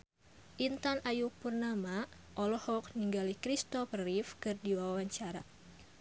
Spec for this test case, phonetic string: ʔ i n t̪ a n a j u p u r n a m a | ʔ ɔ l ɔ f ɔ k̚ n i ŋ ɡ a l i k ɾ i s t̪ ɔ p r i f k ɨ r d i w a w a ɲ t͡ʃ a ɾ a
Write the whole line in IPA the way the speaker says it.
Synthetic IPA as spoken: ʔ i n t̪ a n a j u p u r n a m a | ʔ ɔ l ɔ h ɔ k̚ n i ŋ ɡ a l i k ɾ i s t̪ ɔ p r i f k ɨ r d i w a w a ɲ t͡ʃ a ɾ a